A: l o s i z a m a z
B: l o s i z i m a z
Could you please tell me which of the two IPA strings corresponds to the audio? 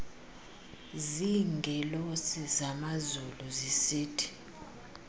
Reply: A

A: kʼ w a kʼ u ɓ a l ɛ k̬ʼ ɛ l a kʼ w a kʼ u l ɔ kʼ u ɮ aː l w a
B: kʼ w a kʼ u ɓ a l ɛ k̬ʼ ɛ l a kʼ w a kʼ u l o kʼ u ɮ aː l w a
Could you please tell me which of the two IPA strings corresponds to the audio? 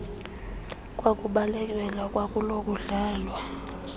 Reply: B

